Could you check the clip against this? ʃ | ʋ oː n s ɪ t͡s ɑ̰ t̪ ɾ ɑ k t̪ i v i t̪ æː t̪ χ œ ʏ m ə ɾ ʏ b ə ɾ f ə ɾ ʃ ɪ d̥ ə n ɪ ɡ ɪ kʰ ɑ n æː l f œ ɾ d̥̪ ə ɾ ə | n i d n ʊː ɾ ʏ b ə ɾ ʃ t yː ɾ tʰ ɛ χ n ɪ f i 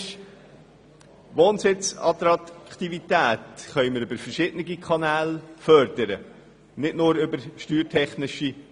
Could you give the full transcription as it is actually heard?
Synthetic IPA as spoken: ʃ | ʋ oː n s ɪ t͡s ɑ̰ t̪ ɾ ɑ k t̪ i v i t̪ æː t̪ χ œ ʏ m ə ɾ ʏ b ə ɾ f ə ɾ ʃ ɪ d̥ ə n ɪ ɡ i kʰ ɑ n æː l f œ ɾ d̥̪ ə ɾ ə | n ɪ d n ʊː ɾ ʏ b ə ɾ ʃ t yː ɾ tʰ ɛ χ n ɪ ʃ i